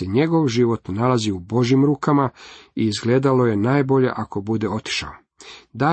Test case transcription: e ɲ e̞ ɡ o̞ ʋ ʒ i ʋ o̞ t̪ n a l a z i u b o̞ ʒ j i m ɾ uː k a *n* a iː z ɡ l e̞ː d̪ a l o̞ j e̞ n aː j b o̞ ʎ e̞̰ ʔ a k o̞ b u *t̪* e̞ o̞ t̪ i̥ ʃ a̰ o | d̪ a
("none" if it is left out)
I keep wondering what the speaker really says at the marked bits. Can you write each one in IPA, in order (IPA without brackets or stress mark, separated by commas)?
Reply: m, d̪